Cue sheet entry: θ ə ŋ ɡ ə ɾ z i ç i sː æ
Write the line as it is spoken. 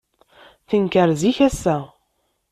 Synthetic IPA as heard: θ ə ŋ k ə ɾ z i ç æ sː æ